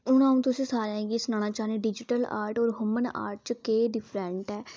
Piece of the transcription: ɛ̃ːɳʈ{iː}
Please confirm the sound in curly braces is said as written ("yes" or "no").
no